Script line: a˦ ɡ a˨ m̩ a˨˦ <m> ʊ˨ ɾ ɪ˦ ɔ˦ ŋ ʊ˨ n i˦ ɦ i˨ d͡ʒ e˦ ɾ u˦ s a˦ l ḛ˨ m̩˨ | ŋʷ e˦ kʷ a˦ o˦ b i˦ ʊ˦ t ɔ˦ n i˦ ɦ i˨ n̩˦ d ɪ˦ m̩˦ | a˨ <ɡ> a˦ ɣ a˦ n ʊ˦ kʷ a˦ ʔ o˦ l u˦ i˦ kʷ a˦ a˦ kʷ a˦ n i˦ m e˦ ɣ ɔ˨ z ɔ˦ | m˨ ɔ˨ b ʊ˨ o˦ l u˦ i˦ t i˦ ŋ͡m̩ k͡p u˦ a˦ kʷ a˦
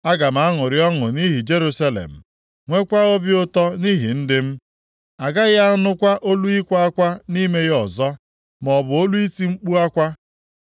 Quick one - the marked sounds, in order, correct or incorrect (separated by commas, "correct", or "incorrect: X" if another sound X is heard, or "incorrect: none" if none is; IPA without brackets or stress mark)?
incorrect: ŋ, correct